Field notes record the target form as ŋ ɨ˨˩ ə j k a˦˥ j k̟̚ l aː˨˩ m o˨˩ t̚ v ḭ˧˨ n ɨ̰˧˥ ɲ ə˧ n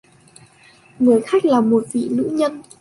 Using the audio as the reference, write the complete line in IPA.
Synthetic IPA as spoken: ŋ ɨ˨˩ ə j x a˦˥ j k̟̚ l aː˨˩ m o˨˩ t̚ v ḭ˧˨ n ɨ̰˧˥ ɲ ə˧ n